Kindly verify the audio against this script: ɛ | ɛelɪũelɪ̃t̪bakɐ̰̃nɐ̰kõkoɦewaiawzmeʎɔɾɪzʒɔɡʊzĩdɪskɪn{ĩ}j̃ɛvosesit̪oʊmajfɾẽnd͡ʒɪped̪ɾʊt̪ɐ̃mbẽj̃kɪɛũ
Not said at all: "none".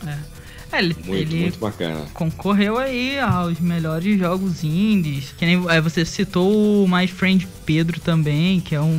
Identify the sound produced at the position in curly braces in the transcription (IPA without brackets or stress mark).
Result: ẽ